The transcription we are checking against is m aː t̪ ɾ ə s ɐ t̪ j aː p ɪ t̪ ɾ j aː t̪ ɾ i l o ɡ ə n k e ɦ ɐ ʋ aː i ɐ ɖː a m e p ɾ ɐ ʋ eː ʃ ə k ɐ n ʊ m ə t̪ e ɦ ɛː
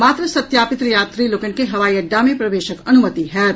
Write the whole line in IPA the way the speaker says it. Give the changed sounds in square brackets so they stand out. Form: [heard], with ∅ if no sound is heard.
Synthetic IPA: m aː t̪ ɾ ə s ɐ t̪ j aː p ɪ t̪ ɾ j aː t̪ ɾ i l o [k] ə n k e ɦ ɐ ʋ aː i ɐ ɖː a m [ẽ] p ɾ ɐ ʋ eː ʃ ə k ɐ n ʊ m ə t̪ [i] ɦ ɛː